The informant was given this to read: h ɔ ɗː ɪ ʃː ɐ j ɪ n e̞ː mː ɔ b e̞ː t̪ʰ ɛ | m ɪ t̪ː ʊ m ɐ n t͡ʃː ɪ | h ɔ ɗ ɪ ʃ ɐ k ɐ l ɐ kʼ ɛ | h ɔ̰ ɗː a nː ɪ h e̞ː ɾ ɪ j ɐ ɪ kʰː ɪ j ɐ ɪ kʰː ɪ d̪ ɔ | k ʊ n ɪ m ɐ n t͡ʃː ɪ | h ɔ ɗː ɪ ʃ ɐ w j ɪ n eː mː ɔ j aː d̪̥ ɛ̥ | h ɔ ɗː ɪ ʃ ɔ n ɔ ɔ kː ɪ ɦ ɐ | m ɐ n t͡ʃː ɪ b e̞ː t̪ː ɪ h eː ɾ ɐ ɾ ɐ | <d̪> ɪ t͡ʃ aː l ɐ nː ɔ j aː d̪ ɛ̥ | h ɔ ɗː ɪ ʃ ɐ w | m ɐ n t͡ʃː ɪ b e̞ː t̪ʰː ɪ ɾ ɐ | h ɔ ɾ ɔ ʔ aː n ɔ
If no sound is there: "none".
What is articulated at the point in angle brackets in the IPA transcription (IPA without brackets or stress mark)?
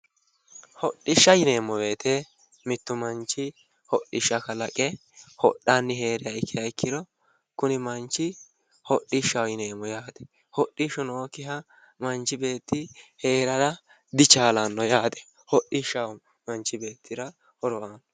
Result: d̪